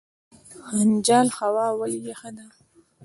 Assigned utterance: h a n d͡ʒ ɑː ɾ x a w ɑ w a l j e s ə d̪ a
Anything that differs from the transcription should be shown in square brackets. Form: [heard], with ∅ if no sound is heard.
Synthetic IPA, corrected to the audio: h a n d͡ʒ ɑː [l] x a w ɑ w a l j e [x] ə d̪ a